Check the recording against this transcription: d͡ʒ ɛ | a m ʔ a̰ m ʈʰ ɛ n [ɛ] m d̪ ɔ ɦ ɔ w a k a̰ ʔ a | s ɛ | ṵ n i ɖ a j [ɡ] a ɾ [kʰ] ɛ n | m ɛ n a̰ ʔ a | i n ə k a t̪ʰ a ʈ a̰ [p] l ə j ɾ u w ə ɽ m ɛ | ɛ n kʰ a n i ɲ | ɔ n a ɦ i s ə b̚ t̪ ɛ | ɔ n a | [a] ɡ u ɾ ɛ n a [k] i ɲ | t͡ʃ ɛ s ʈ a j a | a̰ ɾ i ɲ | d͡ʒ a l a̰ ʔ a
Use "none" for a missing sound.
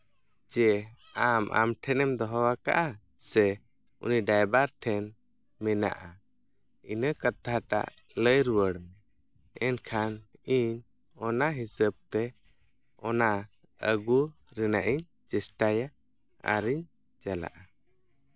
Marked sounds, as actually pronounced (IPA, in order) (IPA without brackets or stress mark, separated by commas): ɛ, b, ʈʰ, ʔ, ə, ʔ